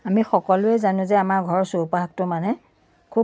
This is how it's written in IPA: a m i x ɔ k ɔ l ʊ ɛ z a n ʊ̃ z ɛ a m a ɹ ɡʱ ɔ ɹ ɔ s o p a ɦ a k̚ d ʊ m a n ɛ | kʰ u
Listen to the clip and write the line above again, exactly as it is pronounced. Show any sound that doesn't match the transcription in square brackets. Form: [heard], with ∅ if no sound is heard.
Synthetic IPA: a m i x ɔ k ɔ l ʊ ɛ z a n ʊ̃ z ɛ a m a ɹ ɡʱ ɔ ɹ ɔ s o p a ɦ a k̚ [t] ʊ m a n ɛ | kʰ u